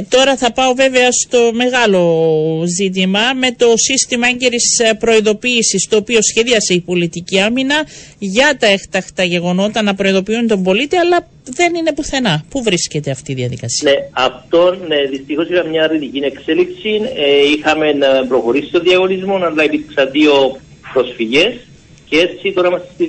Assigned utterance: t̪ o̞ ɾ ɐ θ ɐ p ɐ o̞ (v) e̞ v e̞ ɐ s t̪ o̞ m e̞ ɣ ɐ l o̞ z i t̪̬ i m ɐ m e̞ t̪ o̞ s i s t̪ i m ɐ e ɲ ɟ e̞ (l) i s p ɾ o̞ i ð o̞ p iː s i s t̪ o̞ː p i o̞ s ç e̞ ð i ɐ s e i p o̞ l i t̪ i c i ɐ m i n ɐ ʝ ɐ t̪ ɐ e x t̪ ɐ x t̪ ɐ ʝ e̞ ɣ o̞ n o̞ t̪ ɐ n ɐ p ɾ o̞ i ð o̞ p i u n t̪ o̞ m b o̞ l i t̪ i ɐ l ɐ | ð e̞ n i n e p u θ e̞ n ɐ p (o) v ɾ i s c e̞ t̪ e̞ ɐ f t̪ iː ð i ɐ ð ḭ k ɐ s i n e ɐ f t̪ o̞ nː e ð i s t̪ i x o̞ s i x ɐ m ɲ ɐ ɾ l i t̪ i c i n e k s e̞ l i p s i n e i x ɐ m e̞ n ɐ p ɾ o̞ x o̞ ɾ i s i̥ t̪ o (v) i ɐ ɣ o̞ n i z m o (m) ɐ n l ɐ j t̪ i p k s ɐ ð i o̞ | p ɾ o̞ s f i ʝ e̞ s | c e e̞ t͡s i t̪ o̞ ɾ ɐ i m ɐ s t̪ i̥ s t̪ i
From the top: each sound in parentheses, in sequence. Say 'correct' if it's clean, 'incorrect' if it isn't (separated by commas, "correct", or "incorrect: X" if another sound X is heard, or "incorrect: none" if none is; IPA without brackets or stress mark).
correct, incorrect: ɾ, incorrect: u, incorrect: ð, incorrect: n